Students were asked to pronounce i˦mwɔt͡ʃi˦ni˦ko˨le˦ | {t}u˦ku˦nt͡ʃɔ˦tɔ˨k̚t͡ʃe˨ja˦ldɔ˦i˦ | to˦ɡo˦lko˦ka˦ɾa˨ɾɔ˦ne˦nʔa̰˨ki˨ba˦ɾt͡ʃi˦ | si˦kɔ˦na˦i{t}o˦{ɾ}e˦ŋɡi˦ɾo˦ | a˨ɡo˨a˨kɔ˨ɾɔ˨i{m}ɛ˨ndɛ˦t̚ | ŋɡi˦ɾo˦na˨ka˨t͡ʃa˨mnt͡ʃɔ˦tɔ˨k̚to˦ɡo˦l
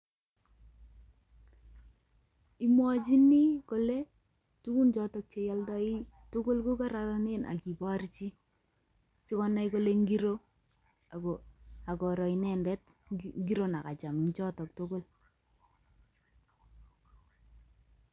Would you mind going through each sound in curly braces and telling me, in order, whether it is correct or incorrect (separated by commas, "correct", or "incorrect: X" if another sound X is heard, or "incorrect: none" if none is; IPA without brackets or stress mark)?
correct, incorrect: k, incorrect: l, incorrect: n